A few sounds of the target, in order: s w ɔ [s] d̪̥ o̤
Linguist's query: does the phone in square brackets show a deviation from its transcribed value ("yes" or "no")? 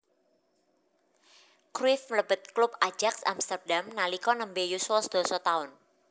no